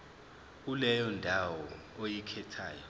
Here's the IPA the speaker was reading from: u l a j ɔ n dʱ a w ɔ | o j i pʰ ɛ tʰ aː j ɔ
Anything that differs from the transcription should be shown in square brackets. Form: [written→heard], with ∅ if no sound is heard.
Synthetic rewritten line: u l [a→ɛ] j ɔ n dʱ a w ɔ | o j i [pʰ→kʰ] ɛ tʰ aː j ɔ